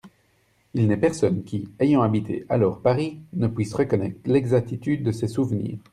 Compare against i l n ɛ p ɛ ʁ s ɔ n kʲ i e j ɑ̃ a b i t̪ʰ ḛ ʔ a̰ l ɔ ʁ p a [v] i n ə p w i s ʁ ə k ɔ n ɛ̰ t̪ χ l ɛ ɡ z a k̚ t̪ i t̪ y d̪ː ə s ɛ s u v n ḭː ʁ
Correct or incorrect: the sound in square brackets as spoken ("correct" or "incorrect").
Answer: incorrect